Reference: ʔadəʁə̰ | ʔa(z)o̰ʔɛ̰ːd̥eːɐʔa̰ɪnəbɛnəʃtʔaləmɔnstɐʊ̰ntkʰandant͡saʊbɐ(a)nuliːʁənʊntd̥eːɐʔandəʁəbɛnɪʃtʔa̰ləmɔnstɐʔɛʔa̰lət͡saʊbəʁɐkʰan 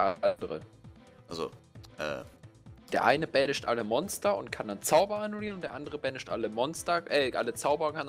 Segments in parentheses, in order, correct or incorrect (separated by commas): correct, correct